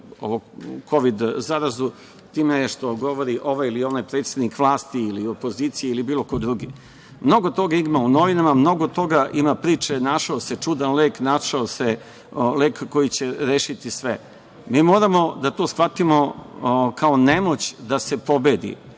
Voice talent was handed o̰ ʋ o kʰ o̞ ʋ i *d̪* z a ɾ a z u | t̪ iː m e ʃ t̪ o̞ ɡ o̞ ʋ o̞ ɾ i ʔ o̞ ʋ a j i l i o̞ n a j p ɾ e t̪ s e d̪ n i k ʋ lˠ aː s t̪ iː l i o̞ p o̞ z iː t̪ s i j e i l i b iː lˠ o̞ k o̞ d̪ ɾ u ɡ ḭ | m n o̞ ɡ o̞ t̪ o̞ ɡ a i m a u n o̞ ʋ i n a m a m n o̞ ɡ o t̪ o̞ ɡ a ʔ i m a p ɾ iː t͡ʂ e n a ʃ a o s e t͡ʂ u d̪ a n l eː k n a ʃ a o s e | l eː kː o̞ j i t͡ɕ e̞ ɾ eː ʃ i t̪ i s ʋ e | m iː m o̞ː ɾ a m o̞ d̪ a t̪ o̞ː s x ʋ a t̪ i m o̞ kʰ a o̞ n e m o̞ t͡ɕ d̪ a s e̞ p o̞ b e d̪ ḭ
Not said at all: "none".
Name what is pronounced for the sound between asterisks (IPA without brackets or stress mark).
d̪